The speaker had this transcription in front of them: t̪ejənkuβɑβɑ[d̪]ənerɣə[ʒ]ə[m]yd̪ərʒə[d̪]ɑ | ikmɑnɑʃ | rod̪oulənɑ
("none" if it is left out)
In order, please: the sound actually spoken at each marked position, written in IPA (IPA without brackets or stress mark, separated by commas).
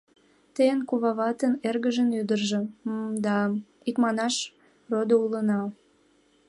t̪, ʒ, n, d̪